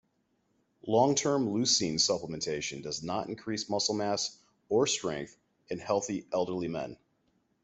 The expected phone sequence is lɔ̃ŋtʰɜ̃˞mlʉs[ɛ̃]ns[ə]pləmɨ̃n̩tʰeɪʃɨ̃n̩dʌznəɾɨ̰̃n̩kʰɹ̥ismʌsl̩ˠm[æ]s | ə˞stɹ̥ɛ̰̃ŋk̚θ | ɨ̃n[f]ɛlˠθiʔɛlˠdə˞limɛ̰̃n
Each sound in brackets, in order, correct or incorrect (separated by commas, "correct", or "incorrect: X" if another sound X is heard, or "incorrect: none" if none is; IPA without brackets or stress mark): incorrect: ĩ, incorrect: ʌ, correct, incorrect: h